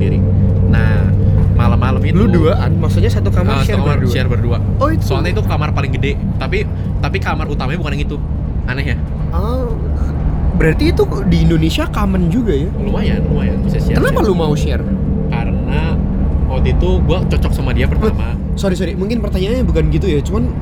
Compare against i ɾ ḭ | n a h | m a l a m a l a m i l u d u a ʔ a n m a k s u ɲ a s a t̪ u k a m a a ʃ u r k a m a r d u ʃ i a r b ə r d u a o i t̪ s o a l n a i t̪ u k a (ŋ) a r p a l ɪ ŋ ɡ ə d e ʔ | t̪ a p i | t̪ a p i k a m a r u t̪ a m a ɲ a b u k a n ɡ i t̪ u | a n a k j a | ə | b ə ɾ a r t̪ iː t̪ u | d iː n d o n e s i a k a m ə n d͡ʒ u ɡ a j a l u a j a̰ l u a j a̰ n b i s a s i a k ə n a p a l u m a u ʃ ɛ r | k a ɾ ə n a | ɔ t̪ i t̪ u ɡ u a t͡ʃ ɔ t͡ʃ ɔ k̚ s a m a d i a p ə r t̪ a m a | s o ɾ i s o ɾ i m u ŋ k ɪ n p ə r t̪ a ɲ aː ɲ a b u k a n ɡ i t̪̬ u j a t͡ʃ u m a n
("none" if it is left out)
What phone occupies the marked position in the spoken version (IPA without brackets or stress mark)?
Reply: m